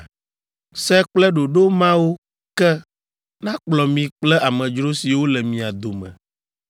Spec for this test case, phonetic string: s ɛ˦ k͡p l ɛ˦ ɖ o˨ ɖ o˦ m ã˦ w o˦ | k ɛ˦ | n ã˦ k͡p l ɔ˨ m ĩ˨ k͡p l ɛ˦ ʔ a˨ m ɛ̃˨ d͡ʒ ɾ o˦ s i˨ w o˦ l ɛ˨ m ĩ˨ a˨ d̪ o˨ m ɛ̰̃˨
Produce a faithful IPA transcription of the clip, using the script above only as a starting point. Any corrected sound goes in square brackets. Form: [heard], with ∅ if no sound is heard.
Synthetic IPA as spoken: s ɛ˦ k͡p l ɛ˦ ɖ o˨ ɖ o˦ m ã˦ w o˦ | k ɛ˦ | n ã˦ k͡p l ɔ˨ m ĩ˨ k͡p l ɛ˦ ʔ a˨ m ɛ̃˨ d͡ʒ ɾ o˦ s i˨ w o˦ l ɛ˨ m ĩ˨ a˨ d̪ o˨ m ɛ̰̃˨

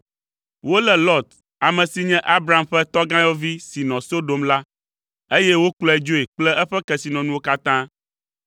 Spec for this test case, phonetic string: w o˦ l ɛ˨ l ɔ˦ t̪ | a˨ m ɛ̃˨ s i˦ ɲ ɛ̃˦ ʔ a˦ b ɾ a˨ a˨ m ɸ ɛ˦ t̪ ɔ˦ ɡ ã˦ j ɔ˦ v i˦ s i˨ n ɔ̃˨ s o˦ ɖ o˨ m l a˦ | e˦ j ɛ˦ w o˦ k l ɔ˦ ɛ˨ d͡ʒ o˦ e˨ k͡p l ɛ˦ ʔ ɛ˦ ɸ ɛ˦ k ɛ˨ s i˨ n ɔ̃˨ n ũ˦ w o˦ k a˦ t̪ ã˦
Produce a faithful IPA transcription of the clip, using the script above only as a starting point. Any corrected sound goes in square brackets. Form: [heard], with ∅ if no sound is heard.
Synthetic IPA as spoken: w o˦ l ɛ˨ l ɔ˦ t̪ | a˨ m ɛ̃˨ s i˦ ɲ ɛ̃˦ ʔ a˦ b ɾ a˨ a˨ m ɸ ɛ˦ t̪ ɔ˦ ɡ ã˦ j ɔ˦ v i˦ s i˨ n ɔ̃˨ s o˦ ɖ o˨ m l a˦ | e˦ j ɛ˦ w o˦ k l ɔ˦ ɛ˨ d͡ʒ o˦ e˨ k͡p l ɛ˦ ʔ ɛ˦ ɸ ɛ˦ k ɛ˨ s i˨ n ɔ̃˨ n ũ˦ w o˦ k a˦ t̪ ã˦

